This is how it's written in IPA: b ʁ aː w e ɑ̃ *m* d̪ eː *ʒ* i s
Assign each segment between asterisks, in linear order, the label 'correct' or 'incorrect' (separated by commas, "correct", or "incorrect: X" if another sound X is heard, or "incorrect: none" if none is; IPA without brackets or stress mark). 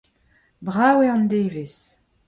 incorrect: n, incorrect: v